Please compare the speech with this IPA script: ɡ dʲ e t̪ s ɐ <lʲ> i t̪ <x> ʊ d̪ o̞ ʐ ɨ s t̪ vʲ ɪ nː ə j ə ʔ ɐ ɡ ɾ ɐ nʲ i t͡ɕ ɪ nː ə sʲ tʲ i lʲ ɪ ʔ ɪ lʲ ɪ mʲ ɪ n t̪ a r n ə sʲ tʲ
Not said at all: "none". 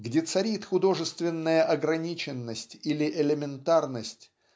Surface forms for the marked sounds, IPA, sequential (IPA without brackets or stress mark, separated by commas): ɾʲ, x